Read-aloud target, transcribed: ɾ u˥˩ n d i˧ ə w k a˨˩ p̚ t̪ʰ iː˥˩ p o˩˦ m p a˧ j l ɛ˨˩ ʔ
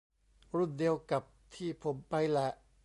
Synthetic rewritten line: ɾ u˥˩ n d i˧ ə w k a˨˩ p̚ t̪ʰ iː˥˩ pʰ o˩˦ m p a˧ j l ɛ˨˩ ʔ